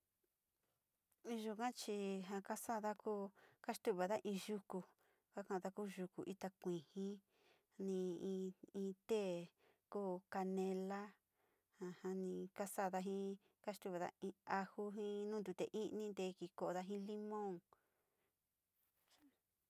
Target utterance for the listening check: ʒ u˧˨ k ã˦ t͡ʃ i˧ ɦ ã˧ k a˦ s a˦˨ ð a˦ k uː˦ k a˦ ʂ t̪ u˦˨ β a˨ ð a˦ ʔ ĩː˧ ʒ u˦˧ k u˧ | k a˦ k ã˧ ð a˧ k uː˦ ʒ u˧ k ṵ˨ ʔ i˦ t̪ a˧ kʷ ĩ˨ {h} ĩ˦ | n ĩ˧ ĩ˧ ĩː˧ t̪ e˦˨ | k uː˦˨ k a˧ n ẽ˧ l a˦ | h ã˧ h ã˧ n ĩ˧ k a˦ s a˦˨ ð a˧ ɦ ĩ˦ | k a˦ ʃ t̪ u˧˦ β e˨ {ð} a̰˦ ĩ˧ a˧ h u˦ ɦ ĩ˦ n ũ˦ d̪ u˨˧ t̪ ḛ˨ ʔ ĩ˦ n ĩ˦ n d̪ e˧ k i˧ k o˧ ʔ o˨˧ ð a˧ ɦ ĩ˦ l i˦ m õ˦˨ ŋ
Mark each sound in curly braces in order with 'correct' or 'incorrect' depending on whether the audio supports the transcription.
correct, correct

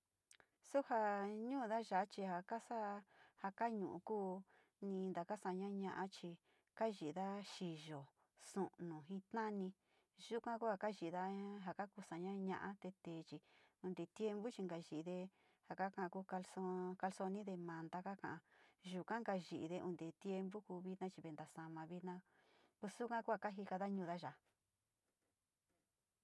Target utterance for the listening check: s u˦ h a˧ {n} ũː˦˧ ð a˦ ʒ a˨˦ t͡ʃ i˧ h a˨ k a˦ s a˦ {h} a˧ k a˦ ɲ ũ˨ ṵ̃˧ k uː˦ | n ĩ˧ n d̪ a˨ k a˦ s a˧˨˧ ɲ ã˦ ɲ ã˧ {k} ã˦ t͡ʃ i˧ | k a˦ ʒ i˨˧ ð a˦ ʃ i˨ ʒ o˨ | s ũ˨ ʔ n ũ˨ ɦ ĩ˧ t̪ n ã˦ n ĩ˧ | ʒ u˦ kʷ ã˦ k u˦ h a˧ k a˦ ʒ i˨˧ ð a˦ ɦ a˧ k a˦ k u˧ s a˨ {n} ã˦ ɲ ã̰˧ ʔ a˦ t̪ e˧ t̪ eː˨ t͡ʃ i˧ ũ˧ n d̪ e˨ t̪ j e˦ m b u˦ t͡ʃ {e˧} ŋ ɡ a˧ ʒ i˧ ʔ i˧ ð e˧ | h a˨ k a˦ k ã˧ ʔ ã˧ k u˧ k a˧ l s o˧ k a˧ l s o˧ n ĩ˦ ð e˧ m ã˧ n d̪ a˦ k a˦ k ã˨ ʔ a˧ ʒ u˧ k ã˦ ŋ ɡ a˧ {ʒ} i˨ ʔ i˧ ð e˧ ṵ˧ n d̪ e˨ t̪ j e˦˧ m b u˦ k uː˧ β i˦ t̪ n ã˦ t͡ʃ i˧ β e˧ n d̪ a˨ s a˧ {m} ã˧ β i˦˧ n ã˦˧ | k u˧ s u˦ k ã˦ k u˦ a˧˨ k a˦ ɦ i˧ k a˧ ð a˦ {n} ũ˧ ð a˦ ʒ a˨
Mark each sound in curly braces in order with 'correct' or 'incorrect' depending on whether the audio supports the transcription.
incorrect: ɲ, correct, incorrect: ʔ, incorrect: ɲ, incorrect: i˧, correct, correct, incorrect: ɲ

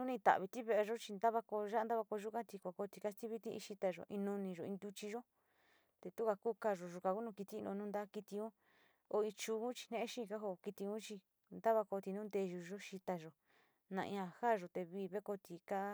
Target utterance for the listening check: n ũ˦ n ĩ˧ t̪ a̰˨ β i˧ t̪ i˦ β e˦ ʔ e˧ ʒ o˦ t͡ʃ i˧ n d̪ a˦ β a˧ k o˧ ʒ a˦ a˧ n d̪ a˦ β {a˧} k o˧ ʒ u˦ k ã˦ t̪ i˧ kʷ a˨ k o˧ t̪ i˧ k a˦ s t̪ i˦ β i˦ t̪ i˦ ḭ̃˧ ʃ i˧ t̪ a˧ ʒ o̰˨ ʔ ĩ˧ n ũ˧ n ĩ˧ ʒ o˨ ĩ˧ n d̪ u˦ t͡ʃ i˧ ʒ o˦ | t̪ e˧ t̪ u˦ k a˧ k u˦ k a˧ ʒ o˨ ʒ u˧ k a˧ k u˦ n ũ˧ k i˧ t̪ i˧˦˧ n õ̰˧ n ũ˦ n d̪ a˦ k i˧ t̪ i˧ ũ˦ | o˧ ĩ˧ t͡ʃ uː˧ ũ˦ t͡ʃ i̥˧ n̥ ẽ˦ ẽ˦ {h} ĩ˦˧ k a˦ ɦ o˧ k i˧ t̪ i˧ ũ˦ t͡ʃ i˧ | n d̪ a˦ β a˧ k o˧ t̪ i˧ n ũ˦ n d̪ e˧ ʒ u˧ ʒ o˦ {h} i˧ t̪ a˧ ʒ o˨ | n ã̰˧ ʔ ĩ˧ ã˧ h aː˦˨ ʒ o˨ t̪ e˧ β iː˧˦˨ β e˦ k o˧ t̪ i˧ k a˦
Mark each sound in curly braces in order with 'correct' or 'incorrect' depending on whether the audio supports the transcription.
correct, incorrect: ʃ, incorrect: ʃ

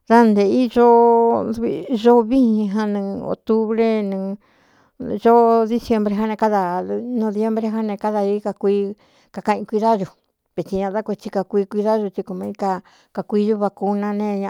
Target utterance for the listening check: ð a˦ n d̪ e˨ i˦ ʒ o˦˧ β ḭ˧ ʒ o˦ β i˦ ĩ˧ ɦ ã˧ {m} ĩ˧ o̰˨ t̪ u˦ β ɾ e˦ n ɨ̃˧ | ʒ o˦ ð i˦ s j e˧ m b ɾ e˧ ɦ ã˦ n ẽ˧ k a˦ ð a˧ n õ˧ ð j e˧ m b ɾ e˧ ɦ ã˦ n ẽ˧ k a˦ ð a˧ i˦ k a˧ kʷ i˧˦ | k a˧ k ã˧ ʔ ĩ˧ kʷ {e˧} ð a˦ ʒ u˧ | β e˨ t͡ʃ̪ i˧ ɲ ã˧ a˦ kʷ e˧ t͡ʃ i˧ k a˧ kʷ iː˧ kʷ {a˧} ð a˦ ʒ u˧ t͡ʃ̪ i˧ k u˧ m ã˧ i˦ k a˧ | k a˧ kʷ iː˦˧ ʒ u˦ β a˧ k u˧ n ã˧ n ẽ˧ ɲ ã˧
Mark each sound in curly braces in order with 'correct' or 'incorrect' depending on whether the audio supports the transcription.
incorrect: n, incorrect: i˧, incorrect: i˧

